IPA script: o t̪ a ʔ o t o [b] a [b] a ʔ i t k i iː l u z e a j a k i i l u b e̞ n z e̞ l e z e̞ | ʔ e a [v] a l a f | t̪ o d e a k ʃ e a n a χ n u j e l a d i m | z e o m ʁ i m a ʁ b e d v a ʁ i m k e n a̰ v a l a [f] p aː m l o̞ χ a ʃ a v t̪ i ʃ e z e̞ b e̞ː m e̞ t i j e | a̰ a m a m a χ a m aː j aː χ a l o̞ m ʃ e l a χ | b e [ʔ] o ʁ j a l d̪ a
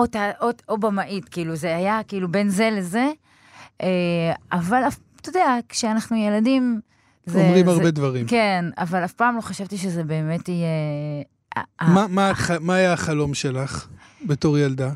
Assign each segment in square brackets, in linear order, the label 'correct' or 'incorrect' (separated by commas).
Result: correct, incorrect, correct, correct, incorrect